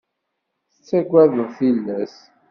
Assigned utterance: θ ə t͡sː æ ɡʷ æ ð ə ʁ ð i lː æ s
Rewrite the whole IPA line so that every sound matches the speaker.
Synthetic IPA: θ ə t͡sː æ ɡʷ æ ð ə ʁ θ i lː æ s